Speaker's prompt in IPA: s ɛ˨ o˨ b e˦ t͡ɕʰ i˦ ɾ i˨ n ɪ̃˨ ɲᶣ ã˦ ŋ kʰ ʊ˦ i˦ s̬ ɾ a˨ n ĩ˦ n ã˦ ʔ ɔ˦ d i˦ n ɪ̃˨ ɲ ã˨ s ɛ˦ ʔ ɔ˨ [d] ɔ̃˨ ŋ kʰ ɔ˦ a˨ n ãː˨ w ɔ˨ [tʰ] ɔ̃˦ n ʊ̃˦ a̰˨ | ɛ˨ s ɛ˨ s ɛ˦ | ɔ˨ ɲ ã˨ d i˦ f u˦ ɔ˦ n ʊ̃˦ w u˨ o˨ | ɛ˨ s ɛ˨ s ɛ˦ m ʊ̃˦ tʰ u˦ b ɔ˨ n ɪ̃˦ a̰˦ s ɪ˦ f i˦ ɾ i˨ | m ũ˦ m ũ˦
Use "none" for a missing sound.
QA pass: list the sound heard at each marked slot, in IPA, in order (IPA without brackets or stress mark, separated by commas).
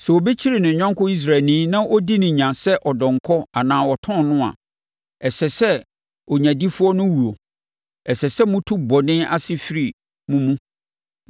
d, tʰ